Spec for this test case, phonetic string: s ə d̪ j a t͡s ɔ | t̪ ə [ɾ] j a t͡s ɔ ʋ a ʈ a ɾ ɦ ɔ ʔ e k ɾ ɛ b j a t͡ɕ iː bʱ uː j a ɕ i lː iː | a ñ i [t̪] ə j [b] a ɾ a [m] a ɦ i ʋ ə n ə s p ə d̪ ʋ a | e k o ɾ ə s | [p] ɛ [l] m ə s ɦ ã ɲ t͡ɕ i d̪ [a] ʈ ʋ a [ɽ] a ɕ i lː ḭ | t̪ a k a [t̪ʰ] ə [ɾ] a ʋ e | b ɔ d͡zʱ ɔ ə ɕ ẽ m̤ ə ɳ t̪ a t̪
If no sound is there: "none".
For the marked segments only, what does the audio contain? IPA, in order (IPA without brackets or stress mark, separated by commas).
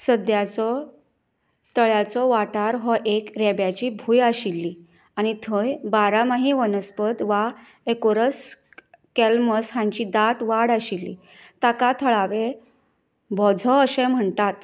ɭ, t̪ʰ, b, m, k, l, a, ɽ, t̪ʰ, ɭ